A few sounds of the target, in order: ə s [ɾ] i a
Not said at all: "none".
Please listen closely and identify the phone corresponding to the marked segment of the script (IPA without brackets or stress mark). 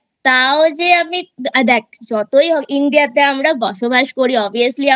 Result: l